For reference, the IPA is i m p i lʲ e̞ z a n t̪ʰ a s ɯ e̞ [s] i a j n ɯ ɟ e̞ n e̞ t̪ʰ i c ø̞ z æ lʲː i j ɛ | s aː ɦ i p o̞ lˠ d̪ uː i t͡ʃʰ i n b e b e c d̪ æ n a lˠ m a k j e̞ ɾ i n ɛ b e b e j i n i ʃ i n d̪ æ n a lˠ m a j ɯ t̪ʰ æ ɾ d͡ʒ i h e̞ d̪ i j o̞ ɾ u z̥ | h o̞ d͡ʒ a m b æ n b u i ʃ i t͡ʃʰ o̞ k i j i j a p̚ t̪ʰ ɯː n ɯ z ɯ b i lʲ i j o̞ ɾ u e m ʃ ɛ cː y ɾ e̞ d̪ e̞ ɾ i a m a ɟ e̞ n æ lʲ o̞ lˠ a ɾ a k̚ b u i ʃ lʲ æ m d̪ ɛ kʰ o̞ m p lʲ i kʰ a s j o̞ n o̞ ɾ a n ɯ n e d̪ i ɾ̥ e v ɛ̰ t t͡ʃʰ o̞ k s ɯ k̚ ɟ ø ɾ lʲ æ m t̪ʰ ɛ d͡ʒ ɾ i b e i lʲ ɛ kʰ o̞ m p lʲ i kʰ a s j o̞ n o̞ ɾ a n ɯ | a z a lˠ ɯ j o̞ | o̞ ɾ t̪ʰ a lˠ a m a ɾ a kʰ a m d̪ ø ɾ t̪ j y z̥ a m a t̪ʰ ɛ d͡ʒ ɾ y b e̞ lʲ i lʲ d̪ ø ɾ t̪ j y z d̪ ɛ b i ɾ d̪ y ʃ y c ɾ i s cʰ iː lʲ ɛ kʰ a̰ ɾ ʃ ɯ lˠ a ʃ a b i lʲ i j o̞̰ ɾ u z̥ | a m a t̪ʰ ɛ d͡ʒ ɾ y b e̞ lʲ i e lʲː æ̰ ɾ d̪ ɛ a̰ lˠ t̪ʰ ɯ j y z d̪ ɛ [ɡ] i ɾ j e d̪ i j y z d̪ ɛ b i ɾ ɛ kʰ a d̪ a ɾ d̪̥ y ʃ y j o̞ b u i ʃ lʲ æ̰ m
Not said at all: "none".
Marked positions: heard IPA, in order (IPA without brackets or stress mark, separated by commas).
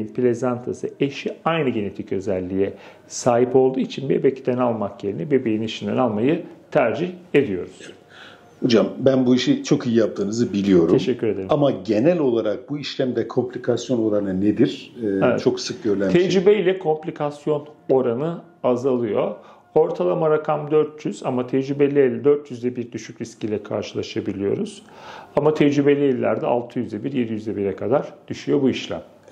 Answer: ʃ, b